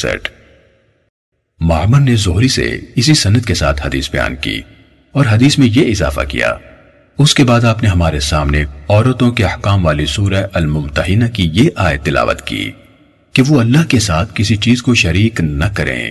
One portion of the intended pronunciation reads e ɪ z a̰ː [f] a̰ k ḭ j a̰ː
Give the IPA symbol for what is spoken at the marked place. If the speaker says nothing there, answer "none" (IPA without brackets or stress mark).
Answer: f